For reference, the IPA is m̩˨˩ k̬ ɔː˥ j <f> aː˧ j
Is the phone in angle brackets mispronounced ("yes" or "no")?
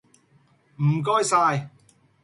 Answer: yes